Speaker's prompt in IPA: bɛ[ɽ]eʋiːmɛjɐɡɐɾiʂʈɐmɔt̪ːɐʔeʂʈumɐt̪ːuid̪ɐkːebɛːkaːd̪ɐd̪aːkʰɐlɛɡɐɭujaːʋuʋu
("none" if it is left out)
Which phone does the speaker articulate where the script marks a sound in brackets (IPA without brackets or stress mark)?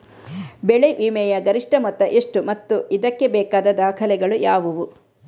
ɭ